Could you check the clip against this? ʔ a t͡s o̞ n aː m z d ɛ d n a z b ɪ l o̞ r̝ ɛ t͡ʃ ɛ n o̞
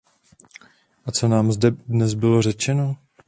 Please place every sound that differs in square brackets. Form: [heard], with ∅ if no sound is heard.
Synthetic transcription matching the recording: ʔ a t͡s o̞ n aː m z d ɛ d n [ɛ] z b ɪ l o̞ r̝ ɛ t͡ʃ ɛ n o̞